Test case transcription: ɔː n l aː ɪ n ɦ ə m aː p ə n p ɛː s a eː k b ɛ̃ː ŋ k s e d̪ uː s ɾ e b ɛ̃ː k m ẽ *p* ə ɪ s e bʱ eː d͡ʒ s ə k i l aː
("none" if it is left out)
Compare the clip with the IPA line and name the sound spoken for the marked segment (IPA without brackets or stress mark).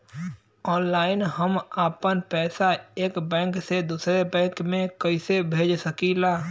k